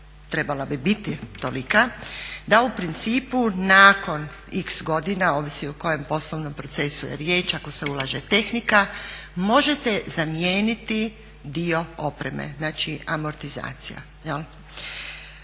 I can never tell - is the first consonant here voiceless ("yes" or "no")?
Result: yes